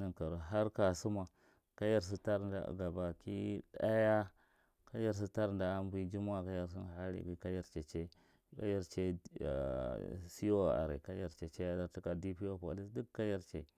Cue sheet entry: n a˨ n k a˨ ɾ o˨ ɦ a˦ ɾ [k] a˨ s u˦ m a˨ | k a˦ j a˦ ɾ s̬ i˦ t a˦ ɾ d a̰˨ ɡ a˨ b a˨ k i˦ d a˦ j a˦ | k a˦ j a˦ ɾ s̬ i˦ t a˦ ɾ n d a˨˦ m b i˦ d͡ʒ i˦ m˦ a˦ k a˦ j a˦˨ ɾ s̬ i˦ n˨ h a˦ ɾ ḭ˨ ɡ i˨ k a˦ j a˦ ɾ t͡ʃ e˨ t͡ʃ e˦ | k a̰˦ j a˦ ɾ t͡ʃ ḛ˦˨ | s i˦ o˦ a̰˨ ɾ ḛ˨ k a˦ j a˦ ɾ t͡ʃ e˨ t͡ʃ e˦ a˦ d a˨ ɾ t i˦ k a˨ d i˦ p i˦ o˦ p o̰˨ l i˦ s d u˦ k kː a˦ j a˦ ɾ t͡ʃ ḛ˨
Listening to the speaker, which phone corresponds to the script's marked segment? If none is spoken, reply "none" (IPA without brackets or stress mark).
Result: k